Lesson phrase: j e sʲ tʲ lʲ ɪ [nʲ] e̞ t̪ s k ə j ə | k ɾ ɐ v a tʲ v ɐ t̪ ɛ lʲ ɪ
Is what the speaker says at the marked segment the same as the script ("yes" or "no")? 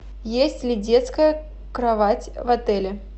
no